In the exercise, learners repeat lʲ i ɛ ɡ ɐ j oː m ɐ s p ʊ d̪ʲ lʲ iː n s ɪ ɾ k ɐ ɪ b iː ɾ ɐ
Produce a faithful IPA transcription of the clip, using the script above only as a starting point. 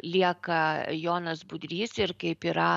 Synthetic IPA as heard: lʲ i ɛ k ɐ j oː n ɐ s b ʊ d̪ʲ ɾʲ iː s ɪ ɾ k ɐ ɪ p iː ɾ ɐ